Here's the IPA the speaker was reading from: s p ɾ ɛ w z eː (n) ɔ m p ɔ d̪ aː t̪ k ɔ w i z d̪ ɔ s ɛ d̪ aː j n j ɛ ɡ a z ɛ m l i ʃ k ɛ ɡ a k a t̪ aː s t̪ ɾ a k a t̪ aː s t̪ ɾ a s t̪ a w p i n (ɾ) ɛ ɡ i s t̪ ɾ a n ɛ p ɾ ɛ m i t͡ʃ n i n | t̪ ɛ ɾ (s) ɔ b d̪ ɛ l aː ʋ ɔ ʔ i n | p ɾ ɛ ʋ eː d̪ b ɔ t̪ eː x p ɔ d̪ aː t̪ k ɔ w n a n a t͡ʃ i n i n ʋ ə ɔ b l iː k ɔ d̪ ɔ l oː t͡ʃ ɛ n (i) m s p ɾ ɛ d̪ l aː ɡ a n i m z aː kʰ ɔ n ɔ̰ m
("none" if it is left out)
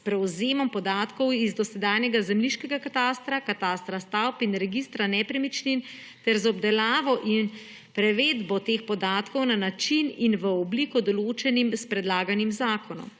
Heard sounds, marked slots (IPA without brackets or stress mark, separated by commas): m, ɾ, z, i